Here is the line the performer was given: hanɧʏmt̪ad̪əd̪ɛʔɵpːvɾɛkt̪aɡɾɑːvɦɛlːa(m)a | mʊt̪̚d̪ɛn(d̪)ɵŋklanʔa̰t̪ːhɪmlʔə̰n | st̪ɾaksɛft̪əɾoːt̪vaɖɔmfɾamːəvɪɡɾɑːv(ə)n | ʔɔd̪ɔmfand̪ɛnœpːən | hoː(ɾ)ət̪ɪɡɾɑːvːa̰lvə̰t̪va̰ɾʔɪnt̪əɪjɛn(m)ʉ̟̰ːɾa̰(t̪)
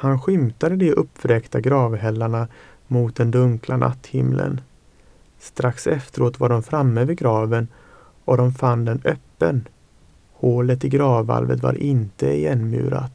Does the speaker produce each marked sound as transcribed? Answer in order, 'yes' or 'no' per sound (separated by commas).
no, yes, yes, no, yes, yes